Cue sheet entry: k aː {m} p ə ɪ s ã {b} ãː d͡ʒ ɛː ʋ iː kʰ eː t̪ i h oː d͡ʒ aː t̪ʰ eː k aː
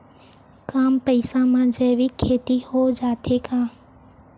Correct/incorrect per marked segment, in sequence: correct, incorrect: m

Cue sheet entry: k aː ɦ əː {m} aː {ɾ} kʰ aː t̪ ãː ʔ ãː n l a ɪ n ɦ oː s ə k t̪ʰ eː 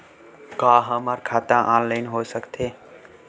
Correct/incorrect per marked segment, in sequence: correct, correct

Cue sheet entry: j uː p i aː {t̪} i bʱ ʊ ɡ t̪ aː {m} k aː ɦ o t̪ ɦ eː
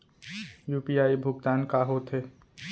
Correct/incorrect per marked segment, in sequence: incorrect: none, incorrect: n

